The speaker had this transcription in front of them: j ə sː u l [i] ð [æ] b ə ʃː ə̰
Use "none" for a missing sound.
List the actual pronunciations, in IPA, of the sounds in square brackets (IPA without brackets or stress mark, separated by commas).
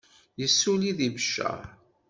i, i